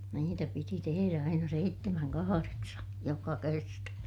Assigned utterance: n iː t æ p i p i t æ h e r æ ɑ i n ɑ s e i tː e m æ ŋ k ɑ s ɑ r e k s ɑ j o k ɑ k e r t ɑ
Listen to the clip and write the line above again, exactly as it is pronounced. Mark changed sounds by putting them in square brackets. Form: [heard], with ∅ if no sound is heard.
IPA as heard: n iː t æ p i [t] i t [e] h e r æ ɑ i n ɑ s e i tː e m æ ŋ k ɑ [h] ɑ r e k s ɑ j o k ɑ k e r t ɑ